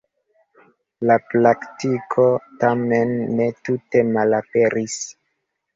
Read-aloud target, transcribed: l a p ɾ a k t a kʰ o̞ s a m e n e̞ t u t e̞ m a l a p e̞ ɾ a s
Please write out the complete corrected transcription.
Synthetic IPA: l a p l a k t i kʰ o̞ t a m e nː e̞ t u t e̞ m a l a p e̞ ɾ i s